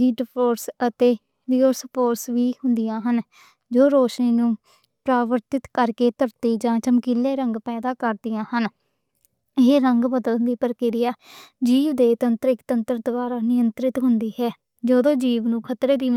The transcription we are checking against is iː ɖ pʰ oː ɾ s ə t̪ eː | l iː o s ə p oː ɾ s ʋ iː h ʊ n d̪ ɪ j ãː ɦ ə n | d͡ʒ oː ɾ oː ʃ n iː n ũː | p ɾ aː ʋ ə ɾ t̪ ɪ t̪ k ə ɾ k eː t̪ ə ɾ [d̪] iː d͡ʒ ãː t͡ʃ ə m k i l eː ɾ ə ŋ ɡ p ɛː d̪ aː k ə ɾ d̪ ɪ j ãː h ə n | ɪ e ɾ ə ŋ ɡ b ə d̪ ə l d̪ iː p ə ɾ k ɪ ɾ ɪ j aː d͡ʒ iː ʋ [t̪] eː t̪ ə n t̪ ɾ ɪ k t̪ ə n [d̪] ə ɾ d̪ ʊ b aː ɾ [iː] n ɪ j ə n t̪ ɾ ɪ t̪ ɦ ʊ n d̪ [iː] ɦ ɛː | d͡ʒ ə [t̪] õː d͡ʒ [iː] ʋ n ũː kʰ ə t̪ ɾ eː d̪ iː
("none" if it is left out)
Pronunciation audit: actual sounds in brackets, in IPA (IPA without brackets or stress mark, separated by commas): t̪, d̪, t̪, aː, iː, d̪, iː